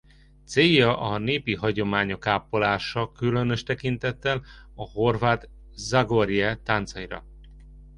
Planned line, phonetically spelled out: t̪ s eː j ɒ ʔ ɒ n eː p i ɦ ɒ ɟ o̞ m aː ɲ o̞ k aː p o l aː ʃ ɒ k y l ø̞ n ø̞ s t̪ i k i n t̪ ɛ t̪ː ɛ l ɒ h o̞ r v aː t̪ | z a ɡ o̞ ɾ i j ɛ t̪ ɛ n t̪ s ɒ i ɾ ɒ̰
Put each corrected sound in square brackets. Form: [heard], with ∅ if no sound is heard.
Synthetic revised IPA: t̪ s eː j ɒ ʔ ɒ n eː p i ɦ ɒ ɟ o̞ m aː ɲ o̞ k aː p o l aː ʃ ɒ k y l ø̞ n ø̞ [ʃ] t̪ [ɛ] k i n t̪ ɛ t̪ː ɛ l ɒ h o̞ r v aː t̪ | z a ɡ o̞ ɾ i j ɛ t̪ [a] n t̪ s ɒ i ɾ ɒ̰

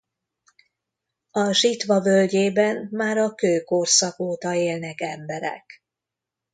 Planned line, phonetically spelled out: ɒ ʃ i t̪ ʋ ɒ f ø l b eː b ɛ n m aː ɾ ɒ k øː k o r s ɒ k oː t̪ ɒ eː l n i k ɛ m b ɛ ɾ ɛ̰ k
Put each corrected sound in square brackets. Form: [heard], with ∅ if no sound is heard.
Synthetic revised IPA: ɒ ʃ i t̪ ʋ ɒ [v] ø l [ɟ] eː b ɛ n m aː ɾ ɒ k øː k o r s ɒ k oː t̪ ɒ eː l n [ɛ] k ɛ m b ɛ ɾ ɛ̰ k

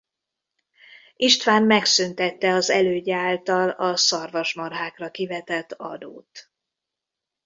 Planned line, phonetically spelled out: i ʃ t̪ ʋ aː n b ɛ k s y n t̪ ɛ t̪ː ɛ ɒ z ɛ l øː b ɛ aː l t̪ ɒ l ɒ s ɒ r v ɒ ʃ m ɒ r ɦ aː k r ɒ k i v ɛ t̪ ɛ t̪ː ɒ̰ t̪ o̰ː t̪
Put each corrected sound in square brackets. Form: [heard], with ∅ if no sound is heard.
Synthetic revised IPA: i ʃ t̪ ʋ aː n [m] ɛ k s y n t̪ ɛ t̪ː ɛ ɒ z ɛ l øː [ɟ] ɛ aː l t̪ ɒ l ɒ s ɒ r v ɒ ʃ m ɒ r ɦ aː k r ɒ k i v ɛ t̪ ɛ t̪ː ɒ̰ [d̪] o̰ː t̪

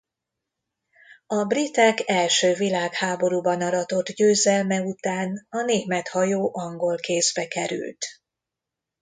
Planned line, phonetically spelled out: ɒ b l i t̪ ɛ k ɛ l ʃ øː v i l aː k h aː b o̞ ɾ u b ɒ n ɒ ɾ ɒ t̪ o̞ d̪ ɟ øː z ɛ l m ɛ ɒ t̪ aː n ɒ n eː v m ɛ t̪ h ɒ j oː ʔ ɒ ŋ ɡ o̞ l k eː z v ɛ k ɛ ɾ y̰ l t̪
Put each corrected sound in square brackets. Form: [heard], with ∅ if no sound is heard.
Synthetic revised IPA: ɒ b [r] i t̪ ɛ k ɛ l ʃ øː v i l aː k h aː b o̞ ɾ u b ɒ n ɒ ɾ ɒ t̪ o̞ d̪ ɟ øː z ɛ l m ɛ [u] t̪ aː n ɒ n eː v m ɛ t̪ h ɒ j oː ʔ ɒ ŋ ɡ o̞ l k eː z [b] ɛ k ɛ ɾ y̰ l t̪

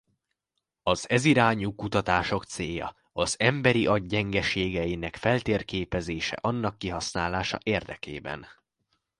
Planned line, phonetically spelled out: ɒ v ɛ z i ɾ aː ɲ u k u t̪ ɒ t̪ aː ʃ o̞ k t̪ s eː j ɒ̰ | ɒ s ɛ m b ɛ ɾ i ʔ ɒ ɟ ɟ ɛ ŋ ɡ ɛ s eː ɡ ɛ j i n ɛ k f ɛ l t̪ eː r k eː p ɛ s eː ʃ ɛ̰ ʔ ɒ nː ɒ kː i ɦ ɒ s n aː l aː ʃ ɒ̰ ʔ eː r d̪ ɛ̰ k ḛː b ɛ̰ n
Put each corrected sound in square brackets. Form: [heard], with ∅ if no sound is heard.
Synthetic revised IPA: ɒ [z] ɛ z i ɾ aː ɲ u k u t̪ ɒ t̪ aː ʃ o̞ k t̪ s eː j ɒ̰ | ɒ [z] ɛ m b ɛ ɾ i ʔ ɒ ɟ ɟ ɛ ŋ ɡ ɛ [ʃ] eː ɡ ɛ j i n ɛ k f ɛ l t̪ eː r k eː p ɛ [z] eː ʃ ɛ̰ ʔ ɒ nː ɒ kː i ɦ ɒ s n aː l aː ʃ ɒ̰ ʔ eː r d̪ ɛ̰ k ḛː b ɛ̰ n

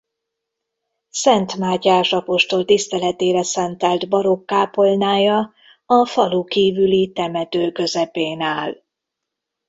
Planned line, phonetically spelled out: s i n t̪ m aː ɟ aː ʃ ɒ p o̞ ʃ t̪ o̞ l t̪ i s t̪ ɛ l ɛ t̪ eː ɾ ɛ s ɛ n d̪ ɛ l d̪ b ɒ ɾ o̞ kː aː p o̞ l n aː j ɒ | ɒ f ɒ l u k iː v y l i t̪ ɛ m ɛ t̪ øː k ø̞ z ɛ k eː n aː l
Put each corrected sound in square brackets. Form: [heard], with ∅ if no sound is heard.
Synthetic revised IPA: s [ɛ] n t̪ m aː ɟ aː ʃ ɒ p o̞ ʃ t̪ o̞ l t̪ i s t̪ ɛ l ɛ t̪ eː ɾ ɛ s ɛ n [t̪] ɛ l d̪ b ɒ ɾ o̞ kː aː p o̞ l n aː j ɒ | ɒ f ɒ l u k iː v y l i t̪ ɛ m ɛ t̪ øː k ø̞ z ɛ [p] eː n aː l

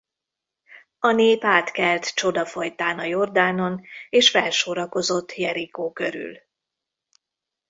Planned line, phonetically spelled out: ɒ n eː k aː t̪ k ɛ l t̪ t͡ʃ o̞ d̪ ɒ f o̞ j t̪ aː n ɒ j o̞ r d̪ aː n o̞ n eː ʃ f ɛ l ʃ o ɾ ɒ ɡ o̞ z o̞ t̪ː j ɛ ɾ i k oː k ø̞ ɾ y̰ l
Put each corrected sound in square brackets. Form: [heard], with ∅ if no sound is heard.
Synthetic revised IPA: ɒ n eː [p] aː t̪ k ɛ l t̪ t͡ʃ o̞ d̪ ɒ f o̞ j t̪ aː n ɒ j o̞ r d̪ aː n o̞ n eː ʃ f ɛ l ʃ o ɾ ɒ [k] o̞ z o̞ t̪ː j ɛ ɾ i k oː k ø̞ ɾ y̰ l

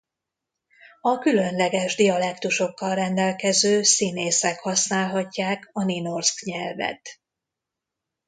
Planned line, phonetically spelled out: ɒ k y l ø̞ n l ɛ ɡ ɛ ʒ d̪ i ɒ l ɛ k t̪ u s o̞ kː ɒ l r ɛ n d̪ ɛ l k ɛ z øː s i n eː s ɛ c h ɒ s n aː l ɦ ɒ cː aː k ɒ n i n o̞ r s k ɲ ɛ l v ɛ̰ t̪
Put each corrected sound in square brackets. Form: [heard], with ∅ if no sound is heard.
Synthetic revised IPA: ɒ k y l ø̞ n l ɛ ɡ ɛ ʒ d̪ i ɒ l ɛ k t̪ u [ʃ] o̞ kː ɒ l r ɛ n d̪ ɛ l k ɛ z øː s i n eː s ɛ [k] h ɒ s n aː l ɦ ɒ cː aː k ɒ n i n o̞ r s k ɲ ɛ l v ɛ̰ t̪

